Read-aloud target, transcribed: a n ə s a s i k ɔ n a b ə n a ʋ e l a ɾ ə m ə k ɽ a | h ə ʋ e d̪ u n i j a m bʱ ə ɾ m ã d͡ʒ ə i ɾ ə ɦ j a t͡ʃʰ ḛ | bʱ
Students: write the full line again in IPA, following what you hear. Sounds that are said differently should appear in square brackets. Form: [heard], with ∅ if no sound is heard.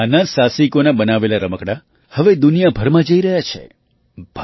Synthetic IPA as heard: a n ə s a s i k [o] n a b ə n a ʋ e l a ɾ ə m ə k ɽ a | h ə ʋ e d̪ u n i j a [∅] bʱ ə ɾ m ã d͡ʒ ə i ɾ ə ɦ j a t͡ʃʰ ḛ | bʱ